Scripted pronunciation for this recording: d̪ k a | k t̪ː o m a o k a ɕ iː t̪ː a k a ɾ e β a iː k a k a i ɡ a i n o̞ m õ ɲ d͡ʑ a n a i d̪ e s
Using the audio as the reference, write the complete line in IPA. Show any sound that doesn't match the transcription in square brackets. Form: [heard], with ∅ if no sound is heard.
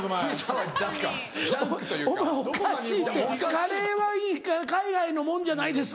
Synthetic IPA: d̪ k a | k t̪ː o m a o k a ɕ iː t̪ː [e] k a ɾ e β a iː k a k a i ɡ a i n o̞ m õ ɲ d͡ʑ a n a i d̪ e s